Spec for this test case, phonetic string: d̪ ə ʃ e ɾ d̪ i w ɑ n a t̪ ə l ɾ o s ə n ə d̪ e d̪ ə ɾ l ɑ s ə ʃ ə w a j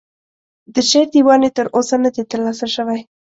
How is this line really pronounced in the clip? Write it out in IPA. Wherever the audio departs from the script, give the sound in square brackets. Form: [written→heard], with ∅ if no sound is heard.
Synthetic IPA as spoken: d̪ ə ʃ e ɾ d̪ i w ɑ n [a→e] t̪ ə [l→∅] ɾ o s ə n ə d̪ e [d̪→t̪] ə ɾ l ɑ s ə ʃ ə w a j

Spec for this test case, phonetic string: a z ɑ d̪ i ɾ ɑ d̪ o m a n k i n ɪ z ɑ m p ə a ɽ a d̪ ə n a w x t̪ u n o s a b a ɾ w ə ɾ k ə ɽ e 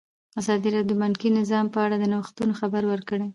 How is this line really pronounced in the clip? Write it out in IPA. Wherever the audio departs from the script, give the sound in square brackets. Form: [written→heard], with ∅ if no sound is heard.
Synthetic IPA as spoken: a z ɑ d̪ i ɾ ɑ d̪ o m a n k i n ɪ z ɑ m p ə a ɽ a d̪ ə n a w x t̪ u n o [s→x] a b a ɾ w ə ɾ k ə ɽ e

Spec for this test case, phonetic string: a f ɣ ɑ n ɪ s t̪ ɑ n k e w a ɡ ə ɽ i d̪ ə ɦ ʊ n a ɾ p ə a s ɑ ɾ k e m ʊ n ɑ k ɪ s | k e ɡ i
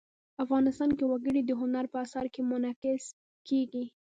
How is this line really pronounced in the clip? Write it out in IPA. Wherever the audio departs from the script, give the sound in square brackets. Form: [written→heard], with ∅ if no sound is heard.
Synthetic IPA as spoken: a f ɣ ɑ n ɪ s t̪ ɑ n k e w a ɡ ə ɽ i d̪ ə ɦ ʊ n a ɾ p ə a s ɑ ɾ k e m ʊ n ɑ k ɪ s | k e ɡ i

